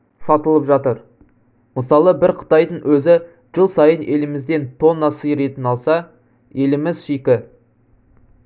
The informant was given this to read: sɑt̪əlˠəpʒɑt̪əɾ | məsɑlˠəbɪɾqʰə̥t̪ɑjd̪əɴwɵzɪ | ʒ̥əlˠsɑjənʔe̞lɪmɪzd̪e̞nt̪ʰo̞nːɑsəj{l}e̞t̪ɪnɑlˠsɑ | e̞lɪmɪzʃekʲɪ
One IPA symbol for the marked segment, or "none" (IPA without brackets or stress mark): ɾ